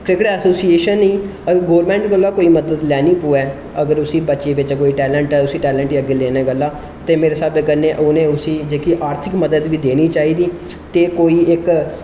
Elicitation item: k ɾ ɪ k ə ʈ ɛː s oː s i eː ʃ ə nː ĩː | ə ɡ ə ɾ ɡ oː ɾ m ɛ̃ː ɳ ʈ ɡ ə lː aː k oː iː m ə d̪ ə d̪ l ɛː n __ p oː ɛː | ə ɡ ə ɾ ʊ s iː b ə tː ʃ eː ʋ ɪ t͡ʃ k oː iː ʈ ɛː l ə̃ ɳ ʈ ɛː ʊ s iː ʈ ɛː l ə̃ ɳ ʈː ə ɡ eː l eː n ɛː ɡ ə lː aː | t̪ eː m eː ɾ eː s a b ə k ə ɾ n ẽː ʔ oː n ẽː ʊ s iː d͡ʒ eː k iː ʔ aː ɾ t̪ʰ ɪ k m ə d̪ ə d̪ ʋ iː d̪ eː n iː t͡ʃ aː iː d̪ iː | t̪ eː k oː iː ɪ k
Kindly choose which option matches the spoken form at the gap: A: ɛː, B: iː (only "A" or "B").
B